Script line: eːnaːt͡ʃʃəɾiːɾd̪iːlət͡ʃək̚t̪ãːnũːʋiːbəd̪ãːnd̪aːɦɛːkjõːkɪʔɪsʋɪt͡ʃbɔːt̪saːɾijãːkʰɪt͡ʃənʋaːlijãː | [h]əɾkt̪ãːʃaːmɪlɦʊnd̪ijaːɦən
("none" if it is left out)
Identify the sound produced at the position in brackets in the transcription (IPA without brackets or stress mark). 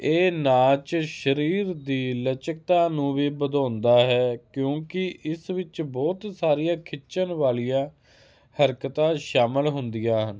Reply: h